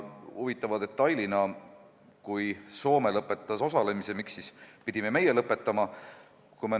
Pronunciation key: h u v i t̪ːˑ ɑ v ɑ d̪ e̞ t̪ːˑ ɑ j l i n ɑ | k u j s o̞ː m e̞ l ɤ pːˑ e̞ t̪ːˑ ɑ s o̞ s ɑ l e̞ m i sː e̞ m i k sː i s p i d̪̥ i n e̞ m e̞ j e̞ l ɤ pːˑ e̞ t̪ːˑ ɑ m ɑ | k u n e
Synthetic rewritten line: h u v i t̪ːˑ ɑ v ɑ d̪ e̞ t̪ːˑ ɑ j l i n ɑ | k u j s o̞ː m e̞ l ɤ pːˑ e̞ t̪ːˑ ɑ s o̞ s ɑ l e̞ m i s e̞ m i k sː i s p i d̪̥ i m e̞ m e̞ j e̞ l ɤ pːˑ e̞ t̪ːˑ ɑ m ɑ | k u m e

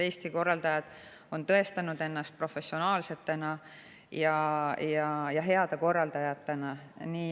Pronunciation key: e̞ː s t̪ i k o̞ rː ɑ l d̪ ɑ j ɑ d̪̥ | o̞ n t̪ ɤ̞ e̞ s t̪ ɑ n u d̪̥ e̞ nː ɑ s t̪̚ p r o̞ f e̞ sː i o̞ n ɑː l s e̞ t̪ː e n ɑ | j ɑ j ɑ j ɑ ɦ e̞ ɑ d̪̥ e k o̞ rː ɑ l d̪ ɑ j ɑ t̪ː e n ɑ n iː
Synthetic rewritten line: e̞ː s t̪ i k o̞ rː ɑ l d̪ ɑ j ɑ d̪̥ | o̞ n t̪ ɤ̞ e̞ s t̪ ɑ n u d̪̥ e̞ nː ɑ s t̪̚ p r o̞ f e̞ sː i o̞ n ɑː l s e̞ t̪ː e n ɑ | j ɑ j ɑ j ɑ ɦ e̞ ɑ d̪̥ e k o̞ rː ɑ l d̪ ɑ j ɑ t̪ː e n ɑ n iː

